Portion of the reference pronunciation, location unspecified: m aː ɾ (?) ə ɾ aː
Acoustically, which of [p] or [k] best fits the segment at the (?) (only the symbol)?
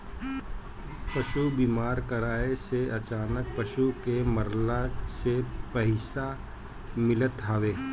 k